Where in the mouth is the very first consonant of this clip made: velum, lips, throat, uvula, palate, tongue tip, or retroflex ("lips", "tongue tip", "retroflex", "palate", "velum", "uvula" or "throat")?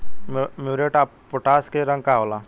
lips